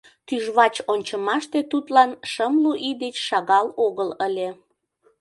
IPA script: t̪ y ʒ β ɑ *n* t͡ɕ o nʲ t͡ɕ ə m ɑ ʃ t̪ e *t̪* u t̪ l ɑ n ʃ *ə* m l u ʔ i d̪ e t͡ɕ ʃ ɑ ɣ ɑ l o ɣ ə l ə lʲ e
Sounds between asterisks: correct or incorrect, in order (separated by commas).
incorrect, correct, correct